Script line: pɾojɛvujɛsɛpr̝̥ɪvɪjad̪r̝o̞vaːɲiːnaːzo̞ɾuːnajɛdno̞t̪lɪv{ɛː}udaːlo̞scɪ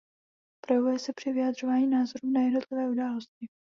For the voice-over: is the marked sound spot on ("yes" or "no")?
yes